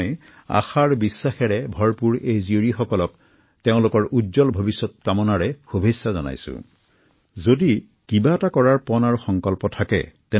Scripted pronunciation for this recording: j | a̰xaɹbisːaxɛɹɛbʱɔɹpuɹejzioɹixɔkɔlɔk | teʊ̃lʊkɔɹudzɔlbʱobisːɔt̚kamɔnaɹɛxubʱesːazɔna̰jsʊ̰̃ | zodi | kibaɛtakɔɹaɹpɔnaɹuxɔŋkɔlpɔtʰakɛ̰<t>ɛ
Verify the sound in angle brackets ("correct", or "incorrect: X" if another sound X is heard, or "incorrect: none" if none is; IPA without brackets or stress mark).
correct